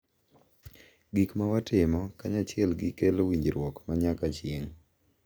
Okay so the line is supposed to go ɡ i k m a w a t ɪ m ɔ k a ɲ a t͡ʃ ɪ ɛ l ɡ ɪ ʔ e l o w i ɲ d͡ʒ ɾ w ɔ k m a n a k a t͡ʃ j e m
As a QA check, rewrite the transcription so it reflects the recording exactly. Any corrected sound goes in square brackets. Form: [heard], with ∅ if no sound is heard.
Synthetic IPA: ɡ i k m a w a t ɪ m ɔ k a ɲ a t͡ʃ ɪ ɛ l ɡ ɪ [k] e l o w i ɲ d͡ʒ ɾ w ɔ k m a [ɲ] a k a t͡ʃ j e [ŋ]